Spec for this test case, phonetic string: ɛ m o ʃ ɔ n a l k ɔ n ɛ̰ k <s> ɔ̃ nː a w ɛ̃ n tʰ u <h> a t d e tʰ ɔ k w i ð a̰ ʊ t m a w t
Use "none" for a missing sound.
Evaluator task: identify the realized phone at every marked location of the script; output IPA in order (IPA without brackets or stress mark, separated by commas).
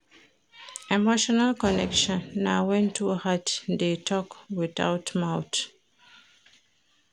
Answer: ʃ, h